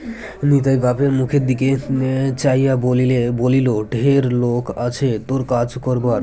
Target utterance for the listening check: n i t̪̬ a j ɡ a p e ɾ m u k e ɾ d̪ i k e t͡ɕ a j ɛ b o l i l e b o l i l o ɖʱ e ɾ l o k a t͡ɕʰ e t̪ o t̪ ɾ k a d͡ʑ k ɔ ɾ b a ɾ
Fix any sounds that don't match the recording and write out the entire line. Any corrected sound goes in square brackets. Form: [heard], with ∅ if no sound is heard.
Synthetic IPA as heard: n i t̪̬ a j ɡ a p e ɾ m u [kʰ] e ɾ d̪ i k e t͡ɕ a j [a] b o l i l e b o l i l o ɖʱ e ɾ l o k a t͡ɕʰ e t̪ o [∅] ɾ k a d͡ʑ k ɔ ɾ b a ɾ